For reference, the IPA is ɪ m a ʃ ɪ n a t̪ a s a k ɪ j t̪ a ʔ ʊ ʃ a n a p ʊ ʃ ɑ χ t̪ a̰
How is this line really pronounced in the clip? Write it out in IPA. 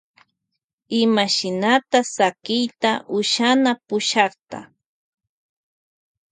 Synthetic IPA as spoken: ɪ m a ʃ ɪ n a t̪ a s a k ɪ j t̪ a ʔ ʊ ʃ a n a p ʊ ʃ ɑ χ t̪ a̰